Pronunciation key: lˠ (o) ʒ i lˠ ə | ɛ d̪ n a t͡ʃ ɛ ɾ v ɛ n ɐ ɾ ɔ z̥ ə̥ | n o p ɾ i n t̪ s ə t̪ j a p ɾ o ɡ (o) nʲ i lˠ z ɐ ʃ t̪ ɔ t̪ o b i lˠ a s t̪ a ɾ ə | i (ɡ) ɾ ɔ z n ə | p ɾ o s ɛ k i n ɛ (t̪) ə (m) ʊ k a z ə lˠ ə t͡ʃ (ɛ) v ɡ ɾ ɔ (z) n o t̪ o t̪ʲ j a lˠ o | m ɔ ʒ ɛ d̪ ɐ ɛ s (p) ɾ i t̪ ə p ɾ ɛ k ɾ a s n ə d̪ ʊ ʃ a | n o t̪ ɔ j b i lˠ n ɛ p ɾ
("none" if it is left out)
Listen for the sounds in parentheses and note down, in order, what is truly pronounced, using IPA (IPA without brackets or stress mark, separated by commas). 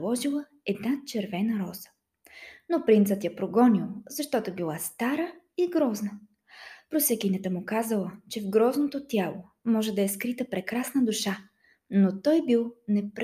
ɔ, ɔ, ɡ, t̪, m, ɛ, z, k